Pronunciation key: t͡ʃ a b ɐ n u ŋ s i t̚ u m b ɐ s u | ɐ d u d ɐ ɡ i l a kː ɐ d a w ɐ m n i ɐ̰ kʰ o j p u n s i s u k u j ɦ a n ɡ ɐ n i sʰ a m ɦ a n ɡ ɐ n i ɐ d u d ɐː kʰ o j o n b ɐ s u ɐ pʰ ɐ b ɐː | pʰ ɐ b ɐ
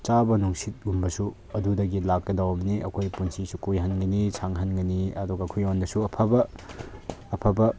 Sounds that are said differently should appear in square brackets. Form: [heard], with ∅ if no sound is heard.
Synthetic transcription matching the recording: t͡ʃ a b ɐ n u ŋ s i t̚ u m b ɐ s u | ɐ d u d ɐ ɡ i l a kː ɐ d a w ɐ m n i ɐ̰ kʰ o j p u n s i s u k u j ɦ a n ɡ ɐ n i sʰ a [ŋ] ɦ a n ɡ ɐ n i ɐ d u [ɡ] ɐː kʰ o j o n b ɐ s u ɐ pʰ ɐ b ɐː | pʰ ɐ b ɐ